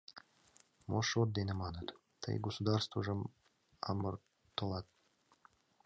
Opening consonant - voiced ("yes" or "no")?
yes